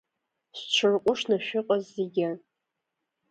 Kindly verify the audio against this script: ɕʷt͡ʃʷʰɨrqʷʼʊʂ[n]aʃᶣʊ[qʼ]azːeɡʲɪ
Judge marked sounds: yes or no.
yes, yes

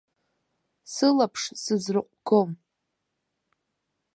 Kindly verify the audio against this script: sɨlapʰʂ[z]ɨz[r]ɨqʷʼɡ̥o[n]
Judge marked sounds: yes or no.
no, yes, no

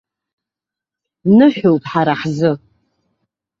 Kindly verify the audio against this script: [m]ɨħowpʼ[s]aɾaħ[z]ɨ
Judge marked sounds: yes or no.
no, no, yes

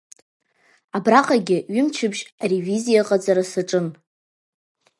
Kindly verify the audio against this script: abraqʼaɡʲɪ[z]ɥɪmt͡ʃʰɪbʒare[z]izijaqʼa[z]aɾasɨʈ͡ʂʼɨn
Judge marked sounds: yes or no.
no, no, no

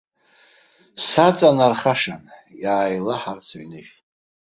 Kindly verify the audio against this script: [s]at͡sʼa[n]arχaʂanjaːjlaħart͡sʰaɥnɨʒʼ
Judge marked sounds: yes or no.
yes, yes

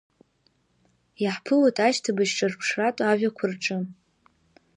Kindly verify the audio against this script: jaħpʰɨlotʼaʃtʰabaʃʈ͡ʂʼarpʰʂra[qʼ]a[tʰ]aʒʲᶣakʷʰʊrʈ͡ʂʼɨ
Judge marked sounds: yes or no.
no, no

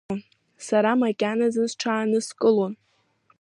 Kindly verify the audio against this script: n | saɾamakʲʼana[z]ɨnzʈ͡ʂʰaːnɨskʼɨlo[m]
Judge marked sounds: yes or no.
yes, no

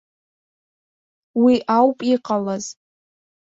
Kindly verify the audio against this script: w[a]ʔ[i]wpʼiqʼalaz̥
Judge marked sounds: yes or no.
no, no

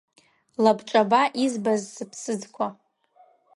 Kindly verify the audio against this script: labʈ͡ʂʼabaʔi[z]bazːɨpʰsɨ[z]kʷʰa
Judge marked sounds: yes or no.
yes, no

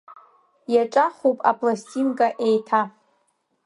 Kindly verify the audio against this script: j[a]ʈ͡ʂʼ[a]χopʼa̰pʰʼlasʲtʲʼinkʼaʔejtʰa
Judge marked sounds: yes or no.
yes, yes

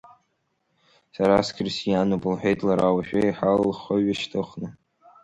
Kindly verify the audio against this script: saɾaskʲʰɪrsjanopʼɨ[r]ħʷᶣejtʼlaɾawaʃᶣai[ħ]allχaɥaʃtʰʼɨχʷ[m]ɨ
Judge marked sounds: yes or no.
no, yes, no

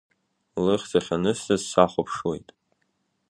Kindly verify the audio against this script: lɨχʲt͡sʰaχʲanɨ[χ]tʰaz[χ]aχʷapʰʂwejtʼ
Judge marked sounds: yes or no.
no, no

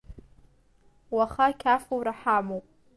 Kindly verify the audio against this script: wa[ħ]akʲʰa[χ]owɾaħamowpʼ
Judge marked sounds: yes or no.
no, no

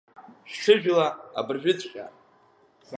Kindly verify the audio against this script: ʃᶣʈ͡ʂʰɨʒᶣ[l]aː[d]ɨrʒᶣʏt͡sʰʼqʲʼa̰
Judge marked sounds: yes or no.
yes, no

